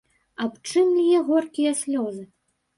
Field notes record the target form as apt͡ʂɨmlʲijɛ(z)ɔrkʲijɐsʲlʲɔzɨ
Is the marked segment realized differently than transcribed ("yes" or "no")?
yes